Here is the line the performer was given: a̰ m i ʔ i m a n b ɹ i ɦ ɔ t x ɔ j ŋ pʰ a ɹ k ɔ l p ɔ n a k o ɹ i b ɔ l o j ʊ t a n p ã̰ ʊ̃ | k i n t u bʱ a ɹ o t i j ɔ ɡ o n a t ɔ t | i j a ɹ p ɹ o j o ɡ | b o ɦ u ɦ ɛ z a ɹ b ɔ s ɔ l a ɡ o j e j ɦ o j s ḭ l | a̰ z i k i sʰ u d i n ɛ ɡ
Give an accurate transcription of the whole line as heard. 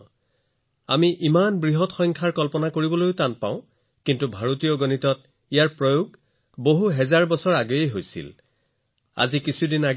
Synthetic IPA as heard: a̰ m i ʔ i m a n b ɹ i ɦ ɔ t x ɔ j ŋ kʰ a ɹ k ɔ l p ɔ n a k o ɹ i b ɔ l o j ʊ t a n p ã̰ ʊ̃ | k i n t u bʱ a ɹ o t i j ɔ ɡ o n i t ɔ t | i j a ɹ p ɹ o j o ɡ | b o ɦ u ɦ ɛ z a ɹ b ɔ s ɔ ɹ a ɡ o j e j ɦ o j s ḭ l | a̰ z i k i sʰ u d i n a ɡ